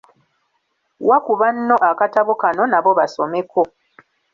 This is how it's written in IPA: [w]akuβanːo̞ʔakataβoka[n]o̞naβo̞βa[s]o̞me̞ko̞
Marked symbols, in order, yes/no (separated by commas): yes, yes, yes